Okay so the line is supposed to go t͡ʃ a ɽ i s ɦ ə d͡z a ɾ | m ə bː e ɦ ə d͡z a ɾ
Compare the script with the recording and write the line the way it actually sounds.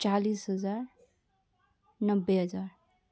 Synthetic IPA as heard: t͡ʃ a l i s ɦ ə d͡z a ɾ | n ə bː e ɦ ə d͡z a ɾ

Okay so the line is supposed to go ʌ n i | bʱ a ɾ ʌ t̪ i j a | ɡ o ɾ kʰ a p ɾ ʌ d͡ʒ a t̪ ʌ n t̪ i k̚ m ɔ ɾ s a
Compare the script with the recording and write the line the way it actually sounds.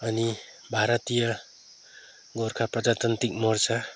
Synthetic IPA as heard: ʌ n i | bʱ a ɾ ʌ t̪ i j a | ɡ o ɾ kʰ a p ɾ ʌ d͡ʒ a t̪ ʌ n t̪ i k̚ m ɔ ɾ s a

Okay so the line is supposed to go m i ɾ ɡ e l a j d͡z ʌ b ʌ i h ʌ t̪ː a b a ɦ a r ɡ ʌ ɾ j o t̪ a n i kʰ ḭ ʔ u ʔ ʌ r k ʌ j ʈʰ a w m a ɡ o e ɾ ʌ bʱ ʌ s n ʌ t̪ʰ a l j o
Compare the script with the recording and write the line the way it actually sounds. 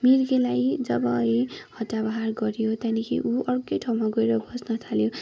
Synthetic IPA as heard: m i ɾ ɡ e l a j d͡z ʌ b ʌ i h ʌ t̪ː a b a ɦ a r ɡ ʌ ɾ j o t̪ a n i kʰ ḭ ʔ u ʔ ʌ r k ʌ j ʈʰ a w m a ɡ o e ɾ ʌ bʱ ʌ s n ʌ t̪ʰ a l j o

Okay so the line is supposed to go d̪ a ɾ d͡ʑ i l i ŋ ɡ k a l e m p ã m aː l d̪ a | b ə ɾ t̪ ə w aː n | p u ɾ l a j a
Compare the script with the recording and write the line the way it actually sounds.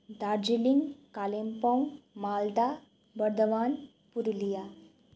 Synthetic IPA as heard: d̪ a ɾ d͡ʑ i l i ŋ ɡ k a l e m p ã m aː l d̪ a | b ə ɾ d̪ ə ʋ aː n | p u ɾ l i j a

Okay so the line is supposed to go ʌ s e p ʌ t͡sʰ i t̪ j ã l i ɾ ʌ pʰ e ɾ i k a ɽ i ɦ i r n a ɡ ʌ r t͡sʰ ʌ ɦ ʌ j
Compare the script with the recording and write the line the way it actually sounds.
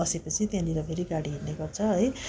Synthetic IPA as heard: ʌ s e p ʌ t͡sʰ i t̪ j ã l i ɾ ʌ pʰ e ɾ i ɡ a ɽ i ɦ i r n e ɡ ʌ r t͡sʰ ʌ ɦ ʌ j

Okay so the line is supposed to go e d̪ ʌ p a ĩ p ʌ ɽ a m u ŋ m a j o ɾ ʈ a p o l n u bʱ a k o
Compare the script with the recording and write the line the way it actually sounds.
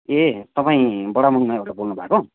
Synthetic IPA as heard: e t̪ ʌ p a ĩ b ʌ ɽ a m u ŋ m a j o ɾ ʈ a b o l n u bʱ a k o

